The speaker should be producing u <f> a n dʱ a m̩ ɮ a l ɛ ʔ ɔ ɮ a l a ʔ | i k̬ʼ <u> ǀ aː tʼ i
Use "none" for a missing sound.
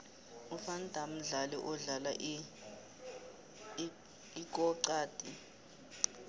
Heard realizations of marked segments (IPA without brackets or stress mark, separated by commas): f, ɔ